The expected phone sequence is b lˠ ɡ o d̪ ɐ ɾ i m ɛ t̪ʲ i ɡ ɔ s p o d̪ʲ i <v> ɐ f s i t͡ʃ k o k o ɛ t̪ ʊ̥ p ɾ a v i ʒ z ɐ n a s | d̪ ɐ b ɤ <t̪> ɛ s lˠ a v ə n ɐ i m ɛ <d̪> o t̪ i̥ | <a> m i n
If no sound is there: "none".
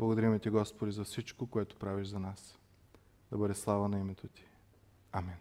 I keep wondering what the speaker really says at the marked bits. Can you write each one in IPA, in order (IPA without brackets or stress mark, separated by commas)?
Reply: z, d̪, t̪, a